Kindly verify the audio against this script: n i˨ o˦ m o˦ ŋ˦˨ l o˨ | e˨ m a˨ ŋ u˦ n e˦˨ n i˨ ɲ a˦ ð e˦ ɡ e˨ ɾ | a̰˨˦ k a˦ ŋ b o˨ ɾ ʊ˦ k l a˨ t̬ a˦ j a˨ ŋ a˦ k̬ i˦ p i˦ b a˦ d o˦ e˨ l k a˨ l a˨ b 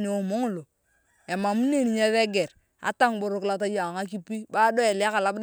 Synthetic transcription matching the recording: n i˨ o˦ m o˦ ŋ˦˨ l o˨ | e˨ m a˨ m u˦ n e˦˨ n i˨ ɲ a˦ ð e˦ ɡ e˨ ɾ | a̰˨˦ t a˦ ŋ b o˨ ɾ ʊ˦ k l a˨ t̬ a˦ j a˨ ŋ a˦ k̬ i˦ p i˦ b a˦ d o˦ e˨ l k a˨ l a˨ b